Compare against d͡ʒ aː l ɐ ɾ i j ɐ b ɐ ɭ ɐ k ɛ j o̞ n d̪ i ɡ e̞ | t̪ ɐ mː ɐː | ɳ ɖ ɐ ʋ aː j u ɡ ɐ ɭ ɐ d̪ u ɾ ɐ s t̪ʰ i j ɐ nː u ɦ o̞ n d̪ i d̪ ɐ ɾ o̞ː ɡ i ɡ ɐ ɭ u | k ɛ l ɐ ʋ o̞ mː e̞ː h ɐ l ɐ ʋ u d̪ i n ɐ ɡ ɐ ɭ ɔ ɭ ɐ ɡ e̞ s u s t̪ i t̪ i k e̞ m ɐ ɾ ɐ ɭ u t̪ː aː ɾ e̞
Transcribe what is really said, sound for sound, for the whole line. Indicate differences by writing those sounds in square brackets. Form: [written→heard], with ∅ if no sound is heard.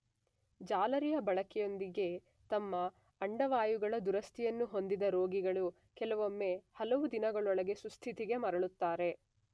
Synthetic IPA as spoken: d͡ʒ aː l ɐ ɾ i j ɐ b ɐ ɭ ɐ k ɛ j o̞ n d̪ i ɡ e̞ | t̪ ɐ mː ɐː | ɳ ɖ ɐ ʋ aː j u ɡ ɐ ɭ ɐ d̪ u ɾ ɐ s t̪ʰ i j ɐ nː u ɦ o̞ n d̪ i d̪ ɐ ɾ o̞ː ɡ i ɡ ɐ ɭ u | k ɛ l ɐ ʋ o̞ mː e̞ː h ɐ l ɐ ʋ u d̪ i n ɐ ɡ ɐ ɭ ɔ ɭ ɐ ɡ e̞ s u s [t̪→t̪ʰ] i t̪ i [k→ɡ] e̞ m ɐ ɾ ɐ ɭ u t̪ː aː ɾ e̞